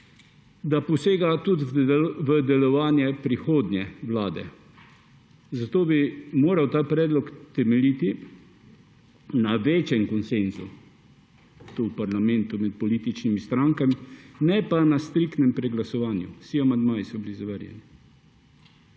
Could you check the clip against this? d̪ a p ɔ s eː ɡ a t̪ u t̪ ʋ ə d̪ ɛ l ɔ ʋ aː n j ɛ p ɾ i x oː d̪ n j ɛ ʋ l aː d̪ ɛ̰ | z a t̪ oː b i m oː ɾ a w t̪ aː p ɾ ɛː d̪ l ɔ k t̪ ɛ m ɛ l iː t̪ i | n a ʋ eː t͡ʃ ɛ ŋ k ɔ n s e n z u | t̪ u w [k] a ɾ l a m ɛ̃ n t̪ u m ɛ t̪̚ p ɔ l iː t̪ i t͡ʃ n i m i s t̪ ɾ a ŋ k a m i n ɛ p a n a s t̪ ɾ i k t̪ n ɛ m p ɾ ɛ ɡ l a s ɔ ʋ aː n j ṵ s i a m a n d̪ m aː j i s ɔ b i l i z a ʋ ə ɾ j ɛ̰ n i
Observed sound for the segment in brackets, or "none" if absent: p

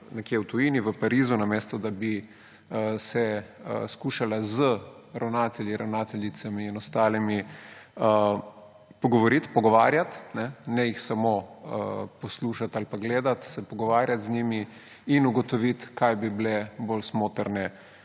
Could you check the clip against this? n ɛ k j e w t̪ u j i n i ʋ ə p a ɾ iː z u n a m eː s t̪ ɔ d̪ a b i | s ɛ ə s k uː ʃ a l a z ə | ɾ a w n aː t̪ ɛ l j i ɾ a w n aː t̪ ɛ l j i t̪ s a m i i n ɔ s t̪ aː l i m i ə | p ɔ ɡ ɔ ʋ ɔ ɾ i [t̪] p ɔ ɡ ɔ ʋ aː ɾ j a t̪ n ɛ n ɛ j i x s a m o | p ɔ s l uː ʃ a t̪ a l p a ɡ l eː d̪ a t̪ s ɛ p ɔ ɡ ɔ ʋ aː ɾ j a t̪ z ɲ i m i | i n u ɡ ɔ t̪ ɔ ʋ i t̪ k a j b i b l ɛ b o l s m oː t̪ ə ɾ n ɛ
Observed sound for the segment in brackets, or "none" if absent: t̪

